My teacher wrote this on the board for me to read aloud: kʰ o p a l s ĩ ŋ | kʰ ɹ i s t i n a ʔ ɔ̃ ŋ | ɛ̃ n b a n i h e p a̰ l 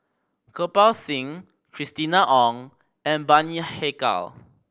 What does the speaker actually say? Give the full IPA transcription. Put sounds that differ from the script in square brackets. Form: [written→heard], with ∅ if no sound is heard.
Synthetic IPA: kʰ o p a l s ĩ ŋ | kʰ ɹ i s t i n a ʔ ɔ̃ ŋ | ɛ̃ n b a n i h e [p→k] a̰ l